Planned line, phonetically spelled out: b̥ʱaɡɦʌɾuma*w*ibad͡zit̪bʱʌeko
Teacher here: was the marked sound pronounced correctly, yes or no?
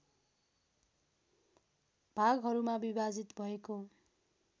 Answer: no